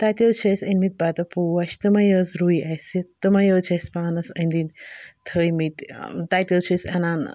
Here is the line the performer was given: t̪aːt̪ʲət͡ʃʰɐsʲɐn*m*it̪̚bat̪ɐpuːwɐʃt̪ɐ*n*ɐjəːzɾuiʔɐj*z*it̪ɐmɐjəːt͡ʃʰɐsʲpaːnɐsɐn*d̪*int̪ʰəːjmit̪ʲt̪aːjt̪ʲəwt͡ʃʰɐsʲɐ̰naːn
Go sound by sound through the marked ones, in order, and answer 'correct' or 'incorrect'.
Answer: correct, incorrect, incorrect, correct

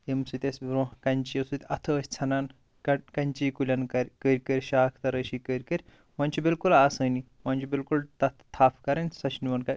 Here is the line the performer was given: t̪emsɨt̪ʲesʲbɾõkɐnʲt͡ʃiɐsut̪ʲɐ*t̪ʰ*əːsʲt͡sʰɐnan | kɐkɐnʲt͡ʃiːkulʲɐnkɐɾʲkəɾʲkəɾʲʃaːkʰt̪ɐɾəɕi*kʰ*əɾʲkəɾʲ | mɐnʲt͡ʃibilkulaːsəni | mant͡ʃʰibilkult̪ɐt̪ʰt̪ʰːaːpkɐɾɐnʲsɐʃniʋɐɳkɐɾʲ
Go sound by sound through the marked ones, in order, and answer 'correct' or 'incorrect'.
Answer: correct, incorrect

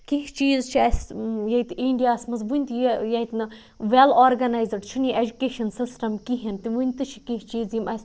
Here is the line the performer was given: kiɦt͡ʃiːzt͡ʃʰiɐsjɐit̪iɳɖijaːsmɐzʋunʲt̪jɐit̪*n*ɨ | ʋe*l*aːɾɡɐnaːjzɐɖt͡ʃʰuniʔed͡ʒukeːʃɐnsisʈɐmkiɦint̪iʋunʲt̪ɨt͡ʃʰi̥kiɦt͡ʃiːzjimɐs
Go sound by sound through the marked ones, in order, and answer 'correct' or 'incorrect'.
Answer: correct, correct

